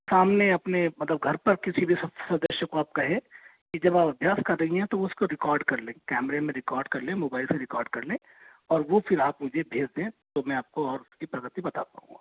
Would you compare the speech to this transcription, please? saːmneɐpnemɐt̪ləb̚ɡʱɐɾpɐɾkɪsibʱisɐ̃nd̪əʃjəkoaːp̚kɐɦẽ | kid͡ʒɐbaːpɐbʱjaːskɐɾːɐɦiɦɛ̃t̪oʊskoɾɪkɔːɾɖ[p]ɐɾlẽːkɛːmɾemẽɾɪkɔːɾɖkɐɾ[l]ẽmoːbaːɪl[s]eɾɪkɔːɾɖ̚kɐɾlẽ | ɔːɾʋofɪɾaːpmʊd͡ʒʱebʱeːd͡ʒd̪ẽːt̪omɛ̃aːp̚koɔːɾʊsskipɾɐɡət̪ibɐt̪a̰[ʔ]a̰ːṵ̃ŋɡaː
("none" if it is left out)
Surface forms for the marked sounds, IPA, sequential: k, l, s, p

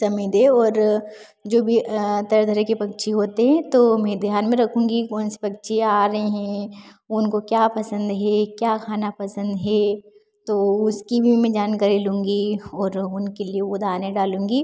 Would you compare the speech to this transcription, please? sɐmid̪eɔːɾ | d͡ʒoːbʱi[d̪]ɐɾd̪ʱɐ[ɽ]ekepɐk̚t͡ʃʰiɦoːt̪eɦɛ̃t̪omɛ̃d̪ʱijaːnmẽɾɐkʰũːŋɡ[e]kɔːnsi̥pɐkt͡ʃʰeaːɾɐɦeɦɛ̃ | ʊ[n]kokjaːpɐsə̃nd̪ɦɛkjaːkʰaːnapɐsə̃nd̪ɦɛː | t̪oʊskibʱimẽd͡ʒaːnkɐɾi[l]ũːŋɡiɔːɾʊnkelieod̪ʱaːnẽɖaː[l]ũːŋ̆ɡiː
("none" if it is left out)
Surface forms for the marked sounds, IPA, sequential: t̪, ɾ, i, n, l, l

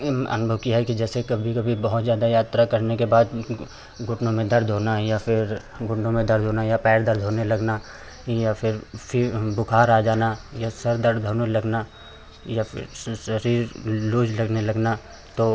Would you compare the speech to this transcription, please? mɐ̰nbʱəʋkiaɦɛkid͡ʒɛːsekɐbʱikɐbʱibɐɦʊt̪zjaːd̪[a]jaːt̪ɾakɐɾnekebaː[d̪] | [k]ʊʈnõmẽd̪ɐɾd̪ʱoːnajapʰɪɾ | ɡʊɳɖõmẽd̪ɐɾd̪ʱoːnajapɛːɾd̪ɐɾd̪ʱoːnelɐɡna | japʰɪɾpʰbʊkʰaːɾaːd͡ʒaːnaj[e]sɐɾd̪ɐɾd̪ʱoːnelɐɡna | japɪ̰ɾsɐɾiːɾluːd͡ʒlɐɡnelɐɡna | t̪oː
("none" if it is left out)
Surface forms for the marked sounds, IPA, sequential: a, d̪, ɡ, a

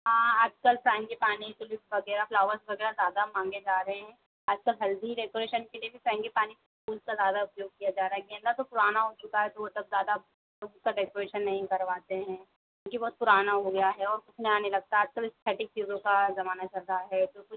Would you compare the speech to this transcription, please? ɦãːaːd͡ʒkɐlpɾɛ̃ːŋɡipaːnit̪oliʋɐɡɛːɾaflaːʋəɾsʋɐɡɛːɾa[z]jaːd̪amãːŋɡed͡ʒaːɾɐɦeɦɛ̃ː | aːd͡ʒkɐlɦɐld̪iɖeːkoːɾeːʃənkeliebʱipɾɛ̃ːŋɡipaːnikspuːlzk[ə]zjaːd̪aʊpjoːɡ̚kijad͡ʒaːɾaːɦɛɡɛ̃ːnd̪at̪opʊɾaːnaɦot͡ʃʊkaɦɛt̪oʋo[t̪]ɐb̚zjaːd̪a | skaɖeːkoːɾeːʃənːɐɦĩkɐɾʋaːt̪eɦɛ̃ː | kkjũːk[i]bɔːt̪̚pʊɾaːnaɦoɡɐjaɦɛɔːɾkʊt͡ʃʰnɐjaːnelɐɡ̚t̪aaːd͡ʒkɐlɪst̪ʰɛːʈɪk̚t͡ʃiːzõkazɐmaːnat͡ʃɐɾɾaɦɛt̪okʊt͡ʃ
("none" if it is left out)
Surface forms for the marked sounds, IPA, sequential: z, a, t̪, i

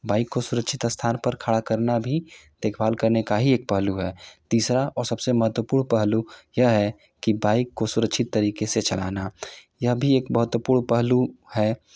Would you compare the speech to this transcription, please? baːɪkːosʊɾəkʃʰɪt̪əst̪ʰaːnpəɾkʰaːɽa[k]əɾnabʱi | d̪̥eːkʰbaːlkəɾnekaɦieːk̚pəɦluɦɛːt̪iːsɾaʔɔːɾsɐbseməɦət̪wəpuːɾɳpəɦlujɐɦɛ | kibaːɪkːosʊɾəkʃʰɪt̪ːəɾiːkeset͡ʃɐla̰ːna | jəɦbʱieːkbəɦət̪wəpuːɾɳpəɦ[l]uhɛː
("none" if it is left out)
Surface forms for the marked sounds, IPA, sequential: k, l

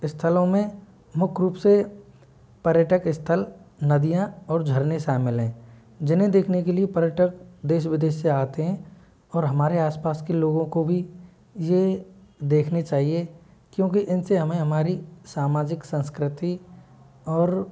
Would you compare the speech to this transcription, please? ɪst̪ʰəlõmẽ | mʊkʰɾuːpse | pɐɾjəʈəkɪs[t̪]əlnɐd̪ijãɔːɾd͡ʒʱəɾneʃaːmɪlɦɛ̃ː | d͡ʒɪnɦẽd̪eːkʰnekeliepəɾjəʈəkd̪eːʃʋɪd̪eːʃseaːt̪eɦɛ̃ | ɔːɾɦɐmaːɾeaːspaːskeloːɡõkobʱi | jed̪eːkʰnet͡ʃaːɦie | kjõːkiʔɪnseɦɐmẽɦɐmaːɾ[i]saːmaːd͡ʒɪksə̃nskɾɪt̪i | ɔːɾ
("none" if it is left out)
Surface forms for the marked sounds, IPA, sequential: t̪ʰ, i

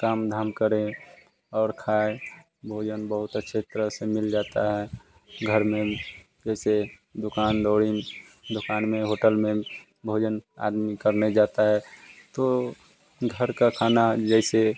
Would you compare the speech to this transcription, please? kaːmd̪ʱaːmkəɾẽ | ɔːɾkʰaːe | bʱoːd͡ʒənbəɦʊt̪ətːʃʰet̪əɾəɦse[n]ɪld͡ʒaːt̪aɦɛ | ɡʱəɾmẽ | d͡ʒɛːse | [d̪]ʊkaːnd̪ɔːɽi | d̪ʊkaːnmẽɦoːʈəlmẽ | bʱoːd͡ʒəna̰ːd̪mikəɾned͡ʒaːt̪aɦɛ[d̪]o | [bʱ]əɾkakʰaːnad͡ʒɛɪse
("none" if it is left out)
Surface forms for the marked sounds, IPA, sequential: m, d̪, t̪, ɡʱ

